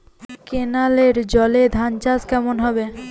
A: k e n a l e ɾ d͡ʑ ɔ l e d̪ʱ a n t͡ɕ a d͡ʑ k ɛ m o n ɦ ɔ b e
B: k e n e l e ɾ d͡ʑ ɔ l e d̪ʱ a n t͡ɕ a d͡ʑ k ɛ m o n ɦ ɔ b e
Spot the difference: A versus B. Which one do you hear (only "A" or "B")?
A